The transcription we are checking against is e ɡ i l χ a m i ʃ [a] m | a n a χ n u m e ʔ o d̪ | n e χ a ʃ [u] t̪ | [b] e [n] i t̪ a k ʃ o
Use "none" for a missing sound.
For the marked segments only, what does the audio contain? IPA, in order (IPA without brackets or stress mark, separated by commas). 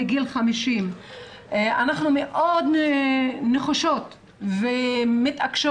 i, o, v, m